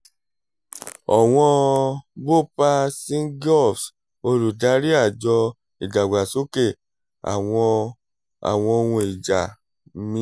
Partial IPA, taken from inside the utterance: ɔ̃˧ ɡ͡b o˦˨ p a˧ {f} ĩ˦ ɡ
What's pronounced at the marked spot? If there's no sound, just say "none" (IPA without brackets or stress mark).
s